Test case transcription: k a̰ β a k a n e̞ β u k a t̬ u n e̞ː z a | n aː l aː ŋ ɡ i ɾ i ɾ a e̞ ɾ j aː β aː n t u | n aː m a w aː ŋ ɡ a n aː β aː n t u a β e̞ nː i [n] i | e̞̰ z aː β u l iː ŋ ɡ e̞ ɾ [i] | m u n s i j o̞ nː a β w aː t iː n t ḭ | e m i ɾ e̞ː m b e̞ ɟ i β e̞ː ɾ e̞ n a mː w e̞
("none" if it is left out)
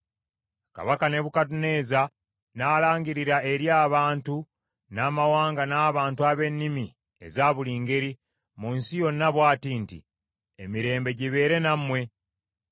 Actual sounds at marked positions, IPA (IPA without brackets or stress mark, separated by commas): m, i